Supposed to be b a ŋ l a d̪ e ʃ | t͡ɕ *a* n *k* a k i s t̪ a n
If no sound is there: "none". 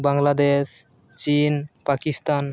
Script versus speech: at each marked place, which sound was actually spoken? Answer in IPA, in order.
i, p

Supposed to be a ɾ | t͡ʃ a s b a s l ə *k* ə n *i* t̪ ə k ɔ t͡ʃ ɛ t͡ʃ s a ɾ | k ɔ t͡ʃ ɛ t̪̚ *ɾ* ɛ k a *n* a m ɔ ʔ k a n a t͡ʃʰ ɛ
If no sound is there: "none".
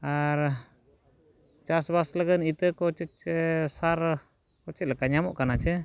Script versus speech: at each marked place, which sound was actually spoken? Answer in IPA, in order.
ɡ, i, l, ɲ

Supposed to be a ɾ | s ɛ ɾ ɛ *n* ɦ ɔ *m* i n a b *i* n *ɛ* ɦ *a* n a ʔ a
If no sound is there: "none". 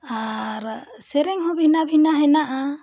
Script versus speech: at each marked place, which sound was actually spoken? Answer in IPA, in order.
ŋ, b, i, a, ɛ

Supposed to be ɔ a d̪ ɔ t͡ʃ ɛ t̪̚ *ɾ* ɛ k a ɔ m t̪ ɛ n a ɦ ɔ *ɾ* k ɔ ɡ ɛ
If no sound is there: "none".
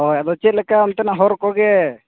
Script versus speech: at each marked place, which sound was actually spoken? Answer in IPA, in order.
l, ɾ

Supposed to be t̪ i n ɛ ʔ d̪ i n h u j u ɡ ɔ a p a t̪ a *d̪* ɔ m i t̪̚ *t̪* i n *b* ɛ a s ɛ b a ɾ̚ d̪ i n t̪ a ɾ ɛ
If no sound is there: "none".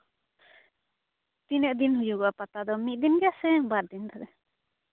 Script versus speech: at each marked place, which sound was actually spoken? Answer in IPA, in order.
d̪, d̪, ɡ

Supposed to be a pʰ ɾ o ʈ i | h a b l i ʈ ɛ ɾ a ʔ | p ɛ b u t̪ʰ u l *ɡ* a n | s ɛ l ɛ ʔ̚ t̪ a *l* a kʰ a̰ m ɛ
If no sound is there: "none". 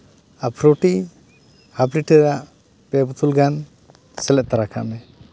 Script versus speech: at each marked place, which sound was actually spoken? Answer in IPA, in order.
ɡ, ɾ

